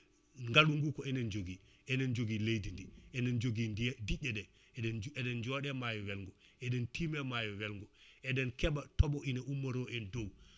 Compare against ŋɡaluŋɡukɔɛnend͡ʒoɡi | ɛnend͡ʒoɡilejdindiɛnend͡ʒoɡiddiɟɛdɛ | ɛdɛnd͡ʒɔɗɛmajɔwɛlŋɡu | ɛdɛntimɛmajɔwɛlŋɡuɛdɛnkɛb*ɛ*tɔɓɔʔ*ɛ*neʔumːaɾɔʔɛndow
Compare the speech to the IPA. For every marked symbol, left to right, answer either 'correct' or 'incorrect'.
incorrect: a, incorrect: i

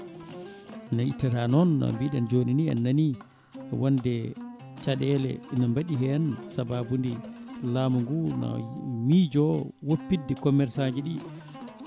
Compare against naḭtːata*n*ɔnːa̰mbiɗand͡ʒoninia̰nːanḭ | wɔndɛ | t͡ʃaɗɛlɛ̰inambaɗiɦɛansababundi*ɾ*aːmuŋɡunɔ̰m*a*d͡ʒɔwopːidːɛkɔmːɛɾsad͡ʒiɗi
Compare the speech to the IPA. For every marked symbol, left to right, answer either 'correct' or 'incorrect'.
correct, incorrect: l, incorrect: i

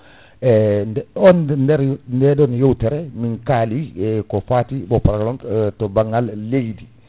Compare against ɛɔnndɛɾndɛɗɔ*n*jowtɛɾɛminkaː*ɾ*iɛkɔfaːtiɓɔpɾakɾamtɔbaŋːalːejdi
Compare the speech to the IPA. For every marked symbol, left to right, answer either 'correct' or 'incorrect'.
correct, incorrect: l

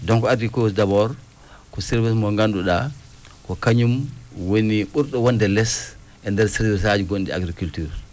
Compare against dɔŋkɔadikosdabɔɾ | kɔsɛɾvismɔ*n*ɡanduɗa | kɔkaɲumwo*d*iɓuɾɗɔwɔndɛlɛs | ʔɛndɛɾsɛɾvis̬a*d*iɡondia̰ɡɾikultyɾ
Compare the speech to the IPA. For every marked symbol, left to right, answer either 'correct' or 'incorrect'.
incorrect: ŋ, incorrect: n, incorrect: d͡ʒ

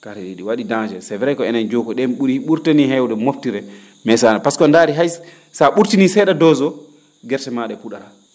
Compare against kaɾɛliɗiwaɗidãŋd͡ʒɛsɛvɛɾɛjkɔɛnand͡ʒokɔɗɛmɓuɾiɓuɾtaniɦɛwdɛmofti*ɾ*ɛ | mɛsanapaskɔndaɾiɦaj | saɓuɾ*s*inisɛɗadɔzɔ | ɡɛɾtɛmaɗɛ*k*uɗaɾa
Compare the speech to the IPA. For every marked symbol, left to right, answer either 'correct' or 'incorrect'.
correct, incorrect: t, incorrect: p

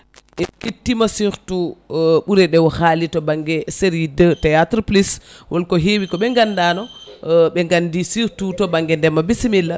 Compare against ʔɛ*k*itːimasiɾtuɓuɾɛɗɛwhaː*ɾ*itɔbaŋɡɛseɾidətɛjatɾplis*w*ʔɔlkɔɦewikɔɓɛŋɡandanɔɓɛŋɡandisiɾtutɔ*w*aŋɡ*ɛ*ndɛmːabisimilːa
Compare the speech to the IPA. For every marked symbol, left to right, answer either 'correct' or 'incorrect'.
correct, incorrect: l, correct, incorrect: b, correct

